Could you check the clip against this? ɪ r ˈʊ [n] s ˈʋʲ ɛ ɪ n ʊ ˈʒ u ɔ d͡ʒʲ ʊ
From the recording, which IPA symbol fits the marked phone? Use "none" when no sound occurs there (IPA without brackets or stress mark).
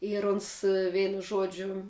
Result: n